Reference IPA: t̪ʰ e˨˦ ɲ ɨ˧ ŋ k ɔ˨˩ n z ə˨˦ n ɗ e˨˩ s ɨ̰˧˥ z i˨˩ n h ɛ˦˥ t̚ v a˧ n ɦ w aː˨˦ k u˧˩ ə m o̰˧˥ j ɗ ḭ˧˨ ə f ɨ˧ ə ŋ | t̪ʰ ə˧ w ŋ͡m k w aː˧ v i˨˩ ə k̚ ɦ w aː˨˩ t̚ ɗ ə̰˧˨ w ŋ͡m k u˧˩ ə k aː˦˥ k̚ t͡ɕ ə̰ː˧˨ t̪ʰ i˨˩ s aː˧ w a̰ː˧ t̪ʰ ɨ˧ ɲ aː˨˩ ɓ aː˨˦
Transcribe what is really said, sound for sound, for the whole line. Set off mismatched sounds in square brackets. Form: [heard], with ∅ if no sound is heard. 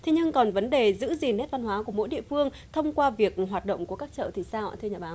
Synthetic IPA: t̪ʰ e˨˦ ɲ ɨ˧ ŋ k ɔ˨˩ n [v] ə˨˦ n ɗ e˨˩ [z] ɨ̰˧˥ z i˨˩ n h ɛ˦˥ t̚ v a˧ n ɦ w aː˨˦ k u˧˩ ə m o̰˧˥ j ɗ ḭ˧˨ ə f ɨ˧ ə ŋ | t̪ʰ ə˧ w ŋ͡m k w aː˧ v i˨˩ ə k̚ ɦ w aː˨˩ t̚ ɗ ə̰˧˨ w ŋ͡m k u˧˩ ə k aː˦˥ k̚ t͡ɕ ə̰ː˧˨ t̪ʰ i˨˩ s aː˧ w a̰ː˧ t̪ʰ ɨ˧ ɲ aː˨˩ ɓ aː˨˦